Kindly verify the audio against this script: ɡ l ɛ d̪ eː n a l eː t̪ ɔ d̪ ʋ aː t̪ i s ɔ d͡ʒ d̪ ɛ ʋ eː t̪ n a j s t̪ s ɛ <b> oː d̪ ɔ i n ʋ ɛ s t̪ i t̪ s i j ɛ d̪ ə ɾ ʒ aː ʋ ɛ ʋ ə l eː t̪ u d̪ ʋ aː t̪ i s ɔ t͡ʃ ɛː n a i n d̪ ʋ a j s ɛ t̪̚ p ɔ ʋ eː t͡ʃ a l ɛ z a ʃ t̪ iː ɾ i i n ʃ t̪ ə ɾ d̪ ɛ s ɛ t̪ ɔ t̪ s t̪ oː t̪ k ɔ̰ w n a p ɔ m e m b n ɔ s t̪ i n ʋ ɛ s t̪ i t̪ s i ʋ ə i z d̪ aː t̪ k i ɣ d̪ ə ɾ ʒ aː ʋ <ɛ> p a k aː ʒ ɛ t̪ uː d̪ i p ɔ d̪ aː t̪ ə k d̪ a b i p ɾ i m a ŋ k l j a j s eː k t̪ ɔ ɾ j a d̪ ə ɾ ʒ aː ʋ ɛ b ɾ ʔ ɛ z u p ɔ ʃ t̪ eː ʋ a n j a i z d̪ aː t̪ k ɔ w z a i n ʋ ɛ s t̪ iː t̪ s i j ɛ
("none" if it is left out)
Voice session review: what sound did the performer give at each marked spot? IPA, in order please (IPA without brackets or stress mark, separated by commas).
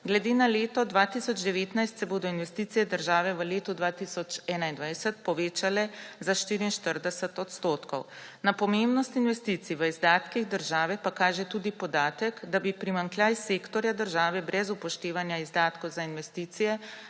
b, ɛ